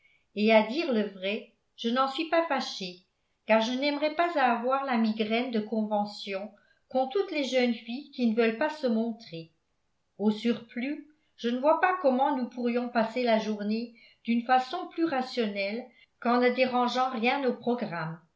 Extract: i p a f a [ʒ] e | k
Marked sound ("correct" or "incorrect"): incorrect